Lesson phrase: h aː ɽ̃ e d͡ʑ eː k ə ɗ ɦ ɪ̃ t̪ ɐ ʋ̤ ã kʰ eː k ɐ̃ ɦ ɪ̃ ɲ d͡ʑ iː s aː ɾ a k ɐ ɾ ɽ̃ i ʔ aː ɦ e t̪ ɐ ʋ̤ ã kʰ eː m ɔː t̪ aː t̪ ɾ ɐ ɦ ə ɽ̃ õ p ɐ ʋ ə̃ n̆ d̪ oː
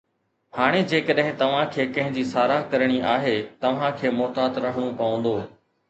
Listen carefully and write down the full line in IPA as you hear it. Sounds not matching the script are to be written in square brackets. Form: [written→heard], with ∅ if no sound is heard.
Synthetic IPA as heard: h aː ɽ̃ e d͡ʑ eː k ə ɗ ɦ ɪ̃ t̪ ɐ ʋ̤ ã kʰ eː k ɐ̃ ɦ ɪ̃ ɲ d͡ʑ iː s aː ɾ a k ɐ ɾ ɽ̃ i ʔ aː ɦ e t̪ ɐ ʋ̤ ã kʰ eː m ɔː t̪ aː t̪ ɾ ɐ ɦ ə ɽ̃ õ p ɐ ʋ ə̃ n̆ d̪ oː